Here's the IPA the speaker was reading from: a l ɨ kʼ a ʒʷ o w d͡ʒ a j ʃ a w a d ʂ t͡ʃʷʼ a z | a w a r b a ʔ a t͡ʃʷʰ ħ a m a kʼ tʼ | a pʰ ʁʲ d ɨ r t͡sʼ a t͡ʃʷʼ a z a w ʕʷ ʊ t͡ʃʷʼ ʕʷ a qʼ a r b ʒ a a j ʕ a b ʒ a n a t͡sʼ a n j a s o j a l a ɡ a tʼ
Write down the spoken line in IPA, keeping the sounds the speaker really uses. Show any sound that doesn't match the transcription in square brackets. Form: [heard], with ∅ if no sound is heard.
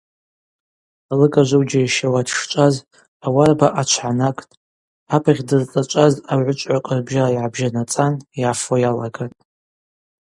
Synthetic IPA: a l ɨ kʼ a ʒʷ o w d͡ʒ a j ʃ a w a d ʂ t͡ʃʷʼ a z | a w a r b a ʔ a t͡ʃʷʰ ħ a [n] a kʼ tʼ | a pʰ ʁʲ d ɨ r t͡sʼ a t͡ʃʷʼ a z a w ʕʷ ʊ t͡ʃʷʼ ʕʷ a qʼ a r b ʒ a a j ʕ a b ʒ a n a t͡sʼ a n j a [f] o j a l a ɡ a tʼ